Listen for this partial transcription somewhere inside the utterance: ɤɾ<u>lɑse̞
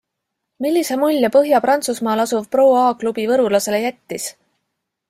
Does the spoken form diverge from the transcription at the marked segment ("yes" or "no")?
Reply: no